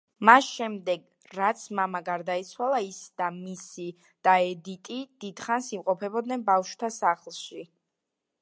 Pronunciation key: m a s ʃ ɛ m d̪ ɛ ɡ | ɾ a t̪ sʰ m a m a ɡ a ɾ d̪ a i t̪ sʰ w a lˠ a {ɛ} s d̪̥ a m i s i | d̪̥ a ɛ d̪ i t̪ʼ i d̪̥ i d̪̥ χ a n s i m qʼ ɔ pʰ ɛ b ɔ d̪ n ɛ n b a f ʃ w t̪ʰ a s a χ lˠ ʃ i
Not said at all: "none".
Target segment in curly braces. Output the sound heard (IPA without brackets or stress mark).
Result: i